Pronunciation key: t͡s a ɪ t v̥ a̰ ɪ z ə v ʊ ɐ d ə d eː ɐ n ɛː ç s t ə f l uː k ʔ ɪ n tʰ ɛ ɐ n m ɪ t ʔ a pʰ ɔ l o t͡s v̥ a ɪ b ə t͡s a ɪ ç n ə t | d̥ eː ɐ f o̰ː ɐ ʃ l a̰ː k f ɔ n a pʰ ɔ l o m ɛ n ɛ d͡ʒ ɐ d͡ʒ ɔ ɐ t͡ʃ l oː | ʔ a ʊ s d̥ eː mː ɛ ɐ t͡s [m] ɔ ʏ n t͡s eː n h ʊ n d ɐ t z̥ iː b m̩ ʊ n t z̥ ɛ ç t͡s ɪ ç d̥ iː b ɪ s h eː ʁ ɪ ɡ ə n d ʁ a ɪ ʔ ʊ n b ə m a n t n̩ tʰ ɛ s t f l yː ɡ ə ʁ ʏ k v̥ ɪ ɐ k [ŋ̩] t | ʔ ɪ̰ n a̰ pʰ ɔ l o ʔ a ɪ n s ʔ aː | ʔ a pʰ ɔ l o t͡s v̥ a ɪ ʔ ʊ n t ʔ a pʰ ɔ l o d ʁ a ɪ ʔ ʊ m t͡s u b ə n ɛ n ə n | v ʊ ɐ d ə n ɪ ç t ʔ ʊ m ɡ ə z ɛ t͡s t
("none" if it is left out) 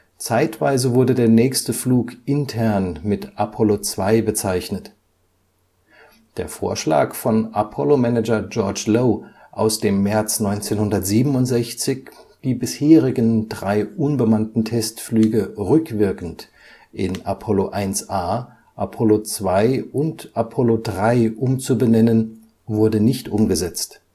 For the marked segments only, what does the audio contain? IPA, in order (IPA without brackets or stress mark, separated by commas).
n, n̩